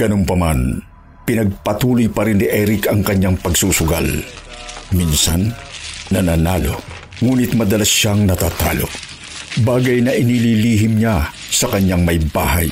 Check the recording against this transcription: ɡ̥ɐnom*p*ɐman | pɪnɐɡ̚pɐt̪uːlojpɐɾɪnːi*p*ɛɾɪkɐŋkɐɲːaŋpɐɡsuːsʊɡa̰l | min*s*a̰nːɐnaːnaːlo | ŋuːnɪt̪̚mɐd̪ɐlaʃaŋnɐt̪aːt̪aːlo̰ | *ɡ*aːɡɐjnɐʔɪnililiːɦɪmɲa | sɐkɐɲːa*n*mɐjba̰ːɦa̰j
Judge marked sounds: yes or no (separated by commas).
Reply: yes, no, yes, no, no